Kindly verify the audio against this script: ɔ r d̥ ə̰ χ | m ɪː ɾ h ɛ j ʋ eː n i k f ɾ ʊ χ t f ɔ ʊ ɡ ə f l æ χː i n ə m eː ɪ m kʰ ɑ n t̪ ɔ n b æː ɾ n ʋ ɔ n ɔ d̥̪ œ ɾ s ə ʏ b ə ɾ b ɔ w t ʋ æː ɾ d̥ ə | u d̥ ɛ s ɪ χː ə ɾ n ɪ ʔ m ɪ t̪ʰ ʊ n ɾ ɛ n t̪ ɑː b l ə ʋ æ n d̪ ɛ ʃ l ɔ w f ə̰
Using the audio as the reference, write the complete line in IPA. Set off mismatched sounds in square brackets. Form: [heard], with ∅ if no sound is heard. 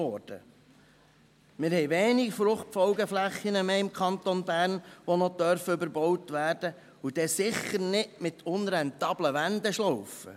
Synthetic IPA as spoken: ɔ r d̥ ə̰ [∅] | m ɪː ɾ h ɛ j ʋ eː n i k f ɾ ʊ χ t f ɔ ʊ ɡ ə f l æ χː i n ə m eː ɪ m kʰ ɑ n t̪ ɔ n b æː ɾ n ʋ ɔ n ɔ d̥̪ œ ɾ [f] ə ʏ b ə ɾ b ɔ w t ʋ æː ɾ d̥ ə | u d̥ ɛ s ɪ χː ə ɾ n ɪ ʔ m ɪ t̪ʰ ʊ n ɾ ɛ n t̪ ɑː b l ə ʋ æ n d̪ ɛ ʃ l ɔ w f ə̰